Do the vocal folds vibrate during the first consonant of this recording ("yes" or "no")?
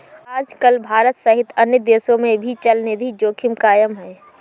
yes